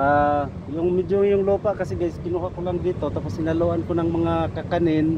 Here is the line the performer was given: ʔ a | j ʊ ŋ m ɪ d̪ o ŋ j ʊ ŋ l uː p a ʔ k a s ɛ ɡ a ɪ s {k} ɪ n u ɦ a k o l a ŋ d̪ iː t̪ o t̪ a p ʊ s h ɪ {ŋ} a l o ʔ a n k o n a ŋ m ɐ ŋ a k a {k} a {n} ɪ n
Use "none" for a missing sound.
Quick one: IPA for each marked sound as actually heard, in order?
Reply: k, n, k, n

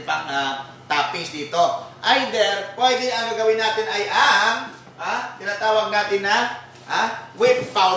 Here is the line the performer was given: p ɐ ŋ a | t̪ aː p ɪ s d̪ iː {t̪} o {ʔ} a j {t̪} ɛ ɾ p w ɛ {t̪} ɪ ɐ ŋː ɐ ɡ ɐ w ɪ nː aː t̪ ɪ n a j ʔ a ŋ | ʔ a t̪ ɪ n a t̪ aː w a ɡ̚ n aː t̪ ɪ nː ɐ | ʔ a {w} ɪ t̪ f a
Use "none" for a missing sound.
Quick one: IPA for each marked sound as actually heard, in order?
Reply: t̪, ʔ, d̪, d̪, w

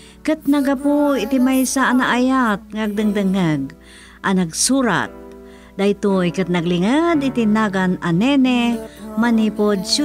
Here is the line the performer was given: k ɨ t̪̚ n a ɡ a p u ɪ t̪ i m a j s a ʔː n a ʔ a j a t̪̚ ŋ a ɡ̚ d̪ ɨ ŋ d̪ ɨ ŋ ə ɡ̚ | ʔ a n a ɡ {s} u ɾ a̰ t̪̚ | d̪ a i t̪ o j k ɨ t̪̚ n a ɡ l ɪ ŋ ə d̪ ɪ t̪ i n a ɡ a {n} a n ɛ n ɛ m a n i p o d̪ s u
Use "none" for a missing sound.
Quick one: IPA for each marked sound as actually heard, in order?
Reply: s, n

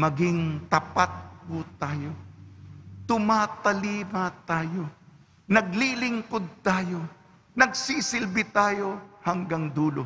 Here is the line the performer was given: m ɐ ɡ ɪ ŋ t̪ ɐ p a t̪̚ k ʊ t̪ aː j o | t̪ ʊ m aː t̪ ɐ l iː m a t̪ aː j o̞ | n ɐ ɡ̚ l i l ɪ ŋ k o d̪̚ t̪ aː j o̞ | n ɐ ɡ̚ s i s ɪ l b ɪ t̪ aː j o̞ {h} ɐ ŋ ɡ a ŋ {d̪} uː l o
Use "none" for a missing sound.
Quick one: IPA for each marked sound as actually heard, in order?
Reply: h, d̪

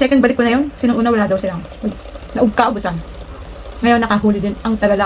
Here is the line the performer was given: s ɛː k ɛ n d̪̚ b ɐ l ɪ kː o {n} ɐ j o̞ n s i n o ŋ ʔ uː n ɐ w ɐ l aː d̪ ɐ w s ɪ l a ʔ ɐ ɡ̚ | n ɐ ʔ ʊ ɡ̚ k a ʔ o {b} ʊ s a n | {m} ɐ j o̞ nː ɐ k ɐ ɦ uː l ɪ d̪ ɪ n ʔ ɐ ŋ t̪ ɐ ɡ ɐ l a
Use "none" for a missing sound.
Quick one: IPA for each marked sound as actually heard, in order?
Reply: n, b, ŋ

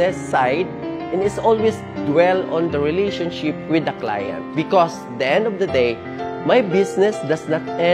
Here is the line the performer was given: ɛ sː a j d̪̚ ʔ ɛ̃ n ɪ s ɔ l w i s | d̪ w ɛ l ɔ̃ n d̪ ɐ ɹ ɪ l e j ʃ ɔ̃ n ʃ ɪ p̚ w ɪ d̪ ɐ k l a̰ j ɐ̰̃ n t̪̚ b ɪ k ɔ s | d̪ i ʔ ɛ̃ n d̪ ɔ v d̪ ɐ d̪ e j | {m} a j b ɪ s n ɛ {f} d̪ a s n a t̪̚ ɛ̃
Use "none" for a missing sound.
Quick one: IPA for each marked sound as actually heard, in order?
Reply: m, s

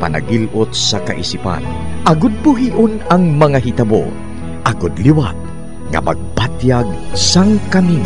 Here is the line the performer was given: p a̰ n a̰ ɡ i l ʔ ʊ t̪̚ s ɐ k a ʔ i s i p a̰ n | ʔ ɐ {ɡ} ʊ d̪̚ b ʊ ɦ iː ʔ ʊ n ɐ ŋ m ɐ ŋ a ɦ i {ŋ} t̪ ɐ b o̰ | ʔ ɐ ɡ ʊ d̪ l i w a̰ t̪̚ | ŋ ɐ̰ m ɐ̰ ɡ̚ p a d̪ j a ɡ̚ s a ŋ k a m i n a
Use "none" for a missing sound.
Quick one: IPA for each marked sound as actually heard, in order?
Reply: ɡ, none

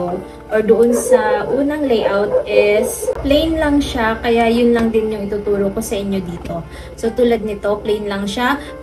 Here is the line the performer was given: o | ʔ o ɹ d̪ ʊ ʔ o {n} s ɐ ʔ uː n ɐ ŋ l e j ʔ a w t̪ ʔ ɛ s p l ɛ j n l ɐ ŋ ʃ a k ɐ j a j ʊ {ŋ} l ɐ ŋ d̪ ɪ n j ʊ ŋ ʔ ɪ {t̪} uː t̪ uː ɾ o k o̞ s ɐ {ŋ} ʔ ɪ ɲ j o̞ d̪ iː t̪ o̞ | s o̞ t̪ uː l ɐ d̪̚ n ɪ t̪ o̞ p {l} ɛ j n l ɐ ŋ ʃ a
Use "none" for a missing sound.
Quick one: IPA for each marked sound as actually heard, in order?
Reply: n, n, t̪, none, l

